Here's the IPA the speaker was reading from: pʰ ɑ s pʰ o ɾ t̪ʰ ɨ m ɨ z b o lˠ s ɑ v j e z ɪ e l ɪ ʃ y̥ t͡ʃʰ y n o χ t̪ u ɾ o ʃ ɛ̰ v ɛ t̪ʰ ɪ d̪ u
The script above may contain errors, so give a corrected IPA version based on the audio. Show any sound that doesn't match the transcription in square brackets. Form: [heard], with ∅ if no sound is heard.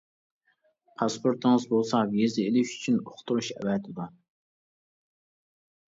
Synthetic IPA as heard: pʰ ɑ s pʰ o ɾ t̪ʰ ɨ [ŋ] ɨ z b o lˠ s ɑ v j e z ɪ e l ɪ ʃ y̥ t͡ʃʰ y n o χ t̪ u ɾ [u] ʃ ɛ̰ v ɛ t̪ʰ ɪ d̪ u